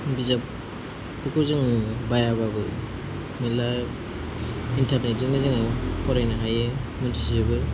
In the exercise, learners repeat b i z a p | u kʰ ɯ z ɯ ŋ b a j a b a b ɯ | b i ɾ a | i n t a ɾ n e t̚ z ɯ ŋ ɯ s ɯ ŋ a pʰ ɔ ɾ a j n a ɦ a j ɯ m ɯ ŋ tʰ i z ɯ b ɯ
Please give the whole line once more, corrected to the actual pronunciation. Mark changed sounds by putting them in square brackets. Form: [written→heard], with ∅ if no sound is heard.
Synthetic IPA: b i z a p | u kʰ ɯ z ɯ ŋ b a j a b a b ɯ | [b→m] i [ɾ→l] a | i n t a ɾ n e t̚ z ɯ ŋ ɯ [s→z] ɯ ŋ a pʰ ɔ ɾ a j n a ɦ a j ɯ m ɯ [ŋ→n] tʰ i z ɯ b ɯ